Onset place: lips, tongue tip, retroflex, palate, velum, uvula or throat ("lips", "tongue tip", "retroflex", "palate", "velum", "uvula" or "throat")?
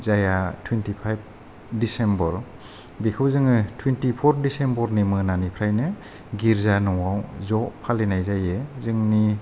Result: tongue tip